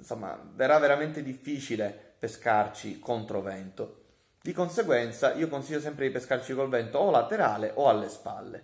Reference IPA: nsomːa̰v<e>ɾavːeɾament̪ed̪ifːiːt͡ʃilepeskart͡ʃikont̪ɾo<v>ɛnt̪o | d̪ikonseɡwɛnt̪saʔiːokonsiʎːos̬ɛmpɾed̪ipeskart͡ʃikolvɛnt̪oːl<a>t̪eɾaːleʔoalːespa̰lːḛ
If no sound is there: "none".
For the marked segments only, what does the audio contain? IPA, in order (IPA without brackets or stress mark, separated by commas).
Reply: e, v, a